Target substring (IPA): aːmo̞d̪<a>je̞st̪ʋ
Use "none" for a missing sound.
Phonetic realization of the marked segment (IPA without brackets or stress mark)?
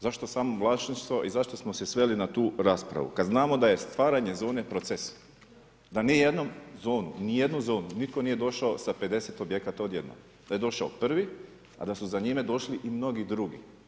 a